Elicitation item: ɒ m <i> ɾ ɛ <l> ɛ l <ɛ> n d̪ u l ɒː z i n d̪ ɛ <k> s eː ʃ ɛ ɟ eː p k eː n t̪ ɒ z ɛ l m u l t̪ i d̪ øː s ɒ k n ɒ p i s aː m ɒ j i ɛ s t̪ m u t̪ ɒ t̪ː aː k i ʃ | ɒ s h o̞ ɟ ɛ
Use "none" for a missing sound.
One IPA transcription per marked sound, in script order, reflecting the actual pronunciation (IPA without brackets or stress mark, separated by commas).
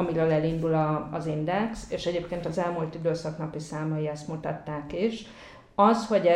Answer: i, l, i, k